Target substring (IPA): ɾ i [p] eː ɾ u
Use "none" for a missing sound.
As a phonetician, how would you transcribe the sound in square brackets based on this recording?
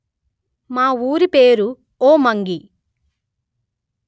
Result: p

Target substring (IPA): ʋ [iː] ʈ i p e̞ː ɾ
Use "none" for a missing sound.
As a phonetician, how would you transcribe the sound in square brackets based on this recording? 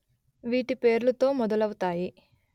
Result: iː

